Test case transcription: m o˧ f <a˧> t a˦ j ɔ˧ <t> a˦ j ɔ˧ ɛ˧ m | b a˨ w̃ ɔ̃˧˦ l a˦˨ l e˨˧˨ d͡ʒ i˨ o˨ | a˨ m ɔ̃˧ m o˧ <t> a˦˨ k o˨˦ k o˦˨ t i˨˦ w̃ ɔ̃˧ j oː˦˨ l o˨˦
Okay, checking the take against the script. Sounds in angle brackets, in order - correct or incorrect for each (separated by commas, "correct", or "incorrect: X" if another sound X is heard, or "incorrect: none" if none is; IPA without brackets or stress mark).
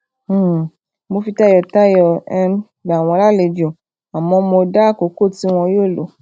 incorrect: i˧, correct, incorrect: d